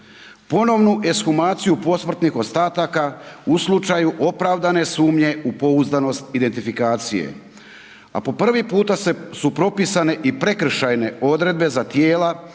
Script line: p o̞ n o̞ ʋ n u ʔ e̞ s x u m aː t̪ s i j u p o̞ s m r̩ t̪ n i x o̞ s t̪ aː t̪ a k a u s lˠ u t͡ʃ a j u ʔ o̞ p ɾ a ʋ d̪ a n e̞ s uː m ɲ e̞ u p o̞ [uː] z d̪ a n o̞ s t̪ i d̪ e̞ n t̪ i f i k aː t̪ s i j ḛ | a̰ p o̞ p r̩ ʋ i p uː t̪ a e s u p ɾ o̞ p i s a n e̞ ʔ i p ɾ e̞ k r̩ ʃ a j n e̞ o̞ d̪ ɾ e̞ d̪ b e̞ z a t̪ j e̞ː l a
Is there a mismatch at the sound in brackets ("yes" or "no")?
yes